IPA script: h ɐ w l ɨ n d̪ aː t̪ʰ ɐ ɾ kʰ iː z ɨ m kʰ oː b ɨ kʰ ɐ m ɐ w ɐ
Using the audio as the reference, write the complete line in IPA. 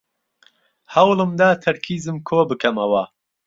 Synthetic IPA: h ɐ w l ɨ m d̪ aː t̪ʰ ɐ ɾ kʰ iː z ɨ m kʰ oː b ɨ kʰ ɐ m ɐ w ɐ